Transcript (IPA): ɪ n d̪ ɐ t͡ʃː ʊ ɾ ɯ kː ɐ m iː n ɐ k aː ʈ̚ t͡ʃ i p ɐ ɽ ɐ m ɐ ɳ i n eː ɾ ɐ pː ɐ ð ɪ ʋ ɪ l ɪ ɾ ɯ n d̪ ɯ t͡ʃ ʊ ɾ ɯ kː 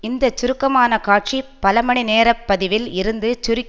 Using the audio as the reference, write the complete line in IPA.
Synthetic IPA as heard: ɪ n d̪ ɐ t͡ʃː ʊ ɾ ɯ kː ɐ m aː n ɐ k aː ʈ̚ t͡ʃ i p ɐ l ɐ m ɐ ɳ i n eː ɾ ɐ pː ɐ ð ɪ ʋ ɪ l ɪ ɾ ɯ n d̪ ɯ t͡ʃ ʊ ɾ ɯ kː